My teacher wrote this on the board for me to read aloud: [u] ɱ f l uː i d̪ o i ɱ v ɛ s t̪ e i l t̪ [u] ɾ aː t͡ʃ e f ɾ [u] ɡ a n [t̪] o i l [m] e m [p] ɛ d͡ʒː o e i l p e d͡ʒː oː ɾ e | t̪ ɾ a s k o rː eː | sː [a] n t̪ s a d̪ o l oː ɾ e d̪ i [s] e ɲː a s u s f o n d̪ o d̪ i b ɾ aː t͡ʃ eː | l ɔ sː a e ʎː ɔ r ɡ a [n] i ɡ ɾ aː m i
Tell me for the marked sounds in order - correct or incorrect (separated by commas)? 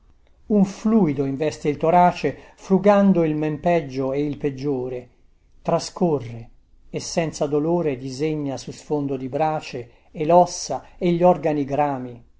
correct, incorrect, correct, incorrect, correct, correct, incorrect, incorrect, correct